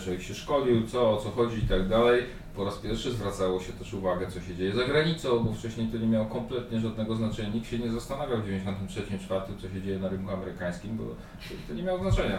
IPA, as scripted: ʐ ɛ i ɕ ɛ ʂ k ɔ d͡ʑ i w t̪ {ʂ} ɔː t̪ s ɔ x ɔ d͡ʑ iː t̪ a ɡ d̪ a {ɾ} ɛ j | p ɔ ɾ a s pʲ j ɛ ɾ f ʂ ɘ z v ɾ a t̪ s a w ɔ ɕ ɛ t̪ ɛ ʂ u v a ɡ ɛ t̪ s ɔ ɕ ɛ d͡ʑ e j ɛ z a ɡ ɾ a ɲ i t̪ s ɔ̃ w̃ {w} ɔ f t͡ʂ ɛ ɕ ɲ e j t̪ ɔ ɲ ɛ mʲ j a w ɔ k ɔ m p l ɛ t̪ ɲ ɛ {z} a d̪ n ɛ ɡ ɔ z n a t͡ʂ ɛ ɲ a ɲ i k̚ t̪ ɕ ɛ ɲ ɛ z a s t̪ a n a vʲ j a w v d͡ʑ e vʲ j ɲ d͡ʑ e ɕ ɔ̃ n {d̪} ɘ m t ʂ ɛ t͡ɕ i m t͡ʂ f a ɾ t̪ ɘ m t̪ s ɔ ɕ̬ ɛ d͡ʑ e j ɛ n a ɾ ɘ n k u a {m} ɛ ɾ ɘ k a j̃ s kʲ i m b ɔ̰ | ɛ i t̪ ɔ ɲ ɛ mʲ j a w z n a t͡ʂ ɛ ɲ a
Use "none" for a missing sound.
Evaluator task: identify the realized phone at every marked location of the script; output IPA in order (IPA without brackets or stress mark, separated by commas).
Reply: s, l, b, ʐ, t̪, m